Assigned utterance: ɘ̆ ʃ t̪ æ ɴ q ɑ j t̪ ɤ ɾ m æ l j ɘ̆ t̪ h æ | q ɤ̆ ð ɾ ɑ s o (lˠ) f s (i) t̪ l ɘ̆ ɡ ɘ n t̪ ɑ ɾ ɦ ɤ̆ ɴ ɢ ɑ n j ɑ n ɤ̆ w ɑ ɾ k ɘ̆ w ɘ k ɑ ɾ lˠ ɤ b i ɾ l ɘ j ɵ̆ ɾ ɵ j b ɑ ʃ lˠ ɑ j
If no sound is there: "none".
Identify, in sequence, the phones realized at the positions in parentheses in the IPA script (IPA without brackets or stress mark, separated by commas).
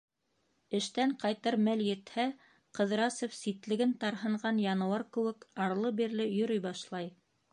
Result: none, i